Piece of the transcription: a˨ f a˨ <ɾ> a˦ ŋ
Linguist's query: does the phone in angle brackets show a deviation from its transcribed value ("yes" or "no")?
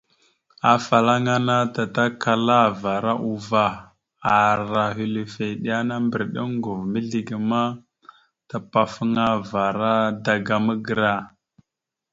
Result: yes